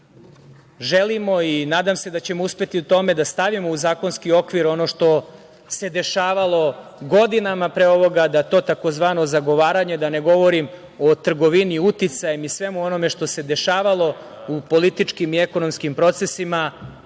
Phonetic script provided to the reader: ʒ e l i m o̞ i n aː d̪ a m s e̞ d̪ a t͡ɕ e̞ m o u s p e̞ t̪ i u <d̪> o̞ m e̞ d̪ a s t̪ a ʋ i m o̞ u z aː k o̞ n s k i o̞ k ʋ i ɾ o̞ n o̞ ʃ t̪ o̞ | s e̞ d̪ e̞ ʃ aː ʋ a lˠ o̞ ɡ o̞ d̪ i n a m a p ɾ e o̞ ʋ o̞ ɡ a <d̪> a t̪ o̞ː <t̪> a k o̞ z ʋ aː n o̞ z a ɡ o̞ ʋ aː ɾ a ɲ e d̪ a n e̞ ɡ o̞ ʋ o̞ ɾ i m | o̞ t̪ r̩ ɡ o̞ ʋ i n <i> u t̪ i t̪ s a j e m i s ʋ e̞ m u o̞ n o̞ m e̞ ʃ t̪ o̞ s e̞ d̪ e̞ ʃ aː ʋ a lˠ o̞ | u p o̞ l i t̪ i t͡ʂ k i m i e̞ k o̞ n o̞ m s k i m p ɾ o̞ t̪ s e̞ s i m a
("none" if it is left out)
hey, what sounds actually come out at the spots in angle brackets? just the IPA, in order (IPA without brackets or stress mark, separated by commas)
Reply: t̪, d̪, t̪, i